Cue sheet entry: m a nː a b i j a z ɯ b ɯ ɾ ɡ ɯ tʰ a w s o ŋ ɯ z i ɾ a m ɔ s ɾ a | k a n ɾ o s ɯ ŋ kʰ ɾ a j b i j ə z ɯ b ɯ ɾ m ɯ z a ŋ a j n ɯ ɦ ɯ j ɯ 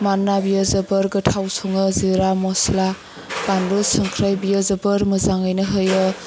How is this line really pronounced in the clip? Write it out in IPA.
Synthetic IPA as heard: m a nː a b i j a z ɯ b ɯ ɾ ɡ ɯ tʰ a w s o ŋ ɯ z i ɾ a m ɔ s l a | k a n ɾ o s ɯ ŋ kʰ ɾ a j b i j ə z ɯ b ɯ ɾ m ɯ z a ŋ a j n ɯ ɦ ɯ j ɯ